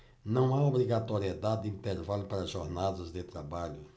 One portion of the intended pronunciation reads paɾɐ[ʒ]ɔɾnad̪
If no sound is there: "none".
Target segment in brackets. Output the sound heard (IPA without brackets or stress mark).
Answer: ʒ